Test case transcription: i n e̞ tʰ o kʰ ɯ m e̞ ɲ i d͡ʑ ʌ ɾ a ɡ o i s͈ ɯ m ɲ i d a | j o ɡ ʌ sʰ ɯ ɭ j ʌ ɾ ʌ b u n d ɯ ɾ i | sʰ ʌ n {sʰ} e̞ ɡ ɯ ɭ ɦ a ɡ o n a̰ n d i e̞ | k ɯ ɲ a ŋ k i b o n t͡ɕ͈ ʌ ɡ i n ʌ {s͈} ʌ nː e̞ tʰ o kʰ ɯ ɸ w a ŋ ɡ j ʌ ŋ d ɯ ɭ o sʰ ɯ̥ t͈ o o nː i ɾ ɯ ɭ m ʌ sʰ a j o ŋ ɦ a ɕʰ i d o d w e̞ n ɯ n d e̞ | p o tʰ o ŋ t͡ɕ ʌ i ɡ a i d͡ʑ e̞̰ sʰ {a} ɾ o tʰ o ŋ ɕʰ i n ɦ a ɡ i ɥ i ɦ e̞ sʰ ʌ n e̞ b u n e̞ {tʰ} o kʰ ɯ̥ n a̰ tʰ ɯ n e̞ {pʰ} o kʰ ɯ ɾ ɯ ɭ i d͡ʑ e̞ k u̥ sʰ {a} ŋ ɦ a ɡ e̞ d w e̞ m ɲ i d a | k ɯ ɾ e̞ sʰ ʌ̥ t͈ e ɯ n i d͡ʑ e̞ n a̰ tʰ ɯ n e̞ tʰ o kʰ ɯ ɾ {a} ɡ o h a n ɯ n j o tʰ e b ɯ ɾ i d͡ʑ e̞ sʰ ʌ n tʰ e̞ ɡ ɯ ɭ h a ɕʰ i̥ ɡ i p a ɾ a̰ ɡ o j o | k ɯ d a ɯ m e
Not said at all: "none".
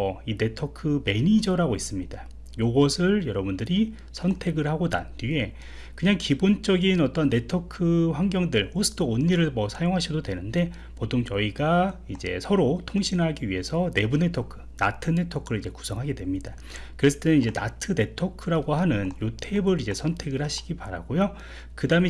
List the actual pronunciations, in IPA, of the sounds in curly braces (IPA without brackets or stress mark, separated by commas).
tʰ, t͈, ʌ, tʰ, tʰ, ʌ, a